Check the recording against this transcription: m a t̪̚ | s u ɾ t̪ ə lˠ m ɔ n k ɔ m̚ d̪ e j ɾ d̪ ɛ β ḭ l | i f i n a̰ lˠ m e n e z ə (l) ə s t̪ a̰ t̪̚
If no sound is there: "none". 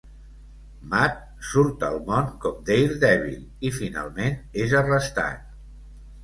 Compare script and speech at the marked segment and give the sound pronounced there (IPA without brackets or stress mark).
r